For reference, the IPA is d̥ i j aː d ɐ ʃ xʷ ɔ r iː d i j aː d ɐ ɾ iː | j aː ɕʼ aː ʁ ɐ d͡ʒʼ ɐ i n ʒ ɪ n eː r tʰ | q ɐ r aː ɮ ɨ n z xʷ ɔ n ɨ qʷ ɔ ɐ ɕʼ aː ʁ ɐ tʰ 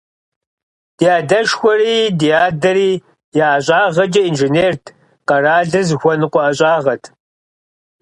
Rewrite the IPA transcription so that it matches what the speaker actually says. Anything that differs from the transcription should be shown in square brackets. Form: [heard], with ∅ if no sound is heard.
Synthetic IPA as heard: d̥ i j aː d ɐ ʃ xʷ ɔ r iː d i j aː d ɐ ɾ iː | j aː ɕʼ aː ʁ ɐ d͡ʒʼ ɐ i n ʒ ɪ n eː r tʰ | q ɐ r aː ɮ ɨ [∅] z xʷ ɔ n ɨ qʷ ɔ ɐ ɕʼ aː ʁ ɐ tʰ